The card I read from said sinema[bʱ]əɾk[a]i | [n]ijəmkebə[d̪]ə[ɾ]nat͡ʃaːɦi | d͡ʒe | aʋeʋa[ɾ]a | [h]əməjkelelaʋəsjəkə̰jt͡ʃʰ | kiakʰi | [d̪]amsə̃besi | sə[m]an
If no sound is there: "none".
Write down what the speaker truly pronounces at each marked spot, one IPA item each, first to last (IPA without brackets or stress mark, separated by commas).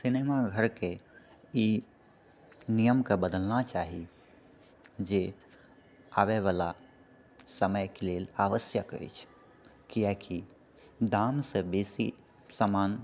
ɡʱ, e, n, d̪, l, l, s, d̪, m